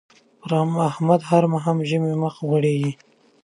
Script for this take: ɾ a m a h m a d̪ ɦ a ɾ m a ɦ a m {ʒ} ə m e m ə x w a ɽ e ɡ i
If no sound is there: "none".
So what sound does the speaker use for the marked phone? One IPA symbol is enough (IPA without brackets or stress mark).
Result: ʒ